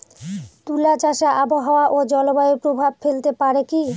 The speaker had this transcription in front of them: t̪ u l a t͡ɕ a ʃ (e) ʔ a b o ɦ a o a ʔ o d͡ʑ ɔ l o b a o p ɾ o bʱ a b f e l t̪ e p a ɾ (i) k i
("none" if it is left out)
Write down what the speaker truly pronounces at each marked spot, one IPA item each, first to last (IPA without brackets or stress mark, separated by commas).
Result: a, e